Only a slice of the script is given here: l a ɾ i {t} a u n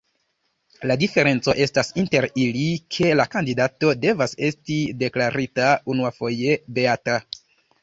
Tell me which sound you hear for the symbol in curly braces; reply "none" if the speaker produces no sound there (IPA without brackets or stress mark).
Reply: t